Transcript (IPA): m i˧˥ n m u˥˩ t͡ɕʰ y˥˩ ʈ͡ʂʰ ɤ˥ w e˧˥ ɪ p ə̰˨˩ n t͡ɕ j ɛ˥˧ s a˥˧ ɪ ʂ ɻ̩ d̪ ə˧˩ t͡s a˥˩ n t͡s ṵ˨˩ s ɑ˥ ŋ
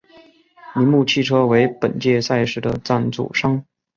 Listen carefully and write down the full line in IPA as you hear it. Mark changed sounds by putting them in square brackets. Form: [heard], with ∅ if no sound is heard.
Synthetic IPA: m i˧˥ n m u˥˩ t͡ɕʰ [i˥˩] ʈ͡ʂʰ ɤ˥ w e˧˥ ɪ p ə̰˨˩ n t͡ɕ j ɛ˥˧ s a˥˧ ɪ ʂ ɻ̩ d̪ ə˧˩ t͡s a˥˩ n t͡s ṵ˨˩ [ʂ] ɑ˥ ŋ